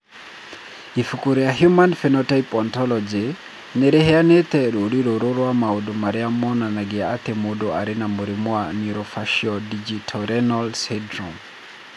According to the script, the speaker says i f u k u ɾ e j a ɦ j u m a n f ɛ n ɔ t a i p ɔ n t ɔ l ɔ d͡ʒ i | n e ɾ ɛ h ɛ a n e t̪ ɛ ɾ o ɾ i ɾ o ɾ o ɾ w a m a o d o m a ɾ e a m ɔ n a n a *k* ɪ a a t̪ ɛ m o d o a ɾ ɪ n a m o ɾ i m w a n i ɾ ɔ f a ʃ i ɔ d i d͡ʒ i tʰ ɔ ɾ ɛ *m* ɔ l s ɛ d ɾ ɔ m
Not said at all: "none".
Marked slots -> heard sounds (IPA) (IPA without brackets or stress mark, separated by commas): ɡ, n